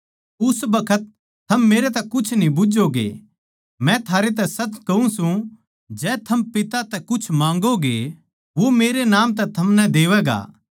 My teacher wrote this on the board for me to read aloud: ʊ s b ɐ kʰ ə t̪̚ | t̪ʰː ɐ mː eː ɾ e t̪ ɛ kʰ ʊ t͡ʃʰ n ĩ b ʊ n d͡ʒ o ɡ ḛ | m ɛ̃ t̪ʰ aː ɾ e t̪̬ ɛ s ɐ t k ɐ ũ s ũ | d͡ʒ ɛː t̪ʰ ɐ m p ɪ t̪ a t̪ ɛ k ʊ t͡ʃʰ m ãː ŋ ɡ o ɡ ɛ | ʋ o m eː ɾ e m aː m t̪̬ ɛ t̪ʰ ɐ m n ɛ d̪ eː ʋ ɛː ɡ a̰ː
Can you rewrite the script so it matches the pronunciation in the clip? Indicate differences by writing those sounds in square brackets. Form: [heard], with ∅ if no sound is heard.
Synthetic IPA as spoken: ʊ s b ɐ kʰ ə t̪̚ | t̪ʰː ɐ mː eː ɾ e t̪ ɛ [k] ʊ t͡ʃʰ n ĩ b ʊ [∅] d͡ʒ o ɡ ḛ | m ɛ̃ t̪ʰ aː ɾ e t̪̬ ɛ s ɐ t k ɐ ũ s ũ | d͡ʒ ɛː t̪ʰ ɐ m p ɪ t̪ a t̪ ɛ k ʊ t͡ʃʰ m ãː ŋ ɡ o ɡ [e] | ʋ o m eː ɾ e [n] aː m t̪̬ ɛ t̪ʰ ɐ m n ɛ d̪ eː ʋ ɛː ɡ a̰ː